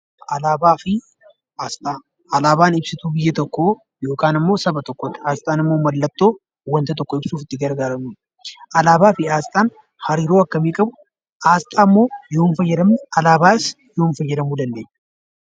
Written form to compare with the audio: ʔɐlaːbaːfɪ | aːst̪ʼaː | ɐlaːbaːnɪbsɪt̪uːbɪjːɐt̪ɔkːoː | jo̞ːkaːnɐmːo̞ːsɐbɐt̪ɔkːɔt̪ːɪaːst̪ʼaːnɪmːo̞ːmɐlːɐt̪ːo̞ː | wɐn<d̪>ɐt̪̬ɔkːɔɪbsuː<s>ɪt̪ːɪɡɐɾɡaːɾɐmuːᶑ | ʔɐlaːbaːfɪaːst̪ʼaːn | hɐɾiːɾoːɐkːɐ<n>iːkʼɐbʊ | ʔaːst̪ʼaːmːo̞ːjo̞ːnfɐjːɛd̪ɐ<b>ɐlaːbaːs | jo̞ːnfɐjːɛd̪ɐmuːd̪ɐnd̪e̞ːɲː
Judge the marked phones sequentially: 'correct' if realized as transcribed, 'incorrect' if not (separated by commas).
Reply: incorrect, incorrect, incorrect, incorrect